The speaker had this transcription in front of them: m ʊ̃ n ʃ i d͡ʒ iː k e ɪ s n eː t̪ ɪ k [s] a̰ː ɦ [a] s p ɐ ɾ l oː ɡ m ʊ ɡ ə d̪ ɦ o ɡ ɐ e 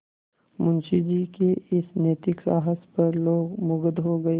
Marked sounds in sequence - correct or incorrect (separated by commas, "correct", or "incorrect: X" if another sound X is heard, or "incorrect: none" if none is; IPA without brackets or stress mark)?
correct, incorrect: ə